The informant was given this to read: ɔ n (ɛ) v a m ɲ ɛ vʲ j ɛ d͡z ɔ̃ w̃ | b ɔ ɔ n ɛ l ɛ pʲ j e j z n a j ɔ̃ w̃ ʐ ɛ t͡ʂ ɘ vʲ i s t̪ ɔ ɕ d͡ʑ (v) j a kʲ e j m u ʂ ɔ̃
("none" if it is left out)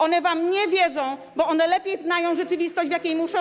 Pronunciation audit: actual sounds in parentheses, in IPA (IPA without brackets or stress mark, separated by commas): ɛ, v